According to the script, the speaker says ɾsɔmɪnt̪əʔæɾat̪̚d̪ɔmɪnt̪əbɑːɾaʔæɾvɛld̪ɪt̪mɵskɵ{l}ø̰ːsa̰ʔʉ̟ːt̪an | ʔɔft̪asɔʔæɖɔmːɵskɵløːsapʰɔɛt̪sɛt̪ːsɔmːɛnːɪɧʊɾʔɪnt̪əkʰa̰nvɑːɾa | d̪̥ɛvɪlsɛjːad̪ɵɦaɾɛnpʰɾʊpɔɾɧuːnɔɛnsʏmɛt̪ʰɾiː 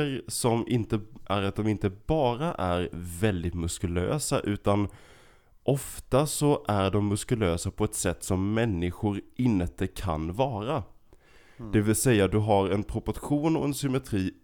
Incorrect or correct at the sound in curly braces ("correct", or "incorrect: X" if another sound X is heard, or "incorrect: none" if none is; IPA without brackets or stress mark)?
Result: correct